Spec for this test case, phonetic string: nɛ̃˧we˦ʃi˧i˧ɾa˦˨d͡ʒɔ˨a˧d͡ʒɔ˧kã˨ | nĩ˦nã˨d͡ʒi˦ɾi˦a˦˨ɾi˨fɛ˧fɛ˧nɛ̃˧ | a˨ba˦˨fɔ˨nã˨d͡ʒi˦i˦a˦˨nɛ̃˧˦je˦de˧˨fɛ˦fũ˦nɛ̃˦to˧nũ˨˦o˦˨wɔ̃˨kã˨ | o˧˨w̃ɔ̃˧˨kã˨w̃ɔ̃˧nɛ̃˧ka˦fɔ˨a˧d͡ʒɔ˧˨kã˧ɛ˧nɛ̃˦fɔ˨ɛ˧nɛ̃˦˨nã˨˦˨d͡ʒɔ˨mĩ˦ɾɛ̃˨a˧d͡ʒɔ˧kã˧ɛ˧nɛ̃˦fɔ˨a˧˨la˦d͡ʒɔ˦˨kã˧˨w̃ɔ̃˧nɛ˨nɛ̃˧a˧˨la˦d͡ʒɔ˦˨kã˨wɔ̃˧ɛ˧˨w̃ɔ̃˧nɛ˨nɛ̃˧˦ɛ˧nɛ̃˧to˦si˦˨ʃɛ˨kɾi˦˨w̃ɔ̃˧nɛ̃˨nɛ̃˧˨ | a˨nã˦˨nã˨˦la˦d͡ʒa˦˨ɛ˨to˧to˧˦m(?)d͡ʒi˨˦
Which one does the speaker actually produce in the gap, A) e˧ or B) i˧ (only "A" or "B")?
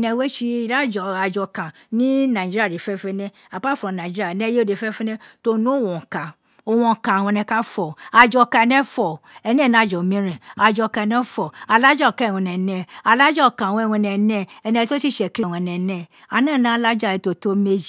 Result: A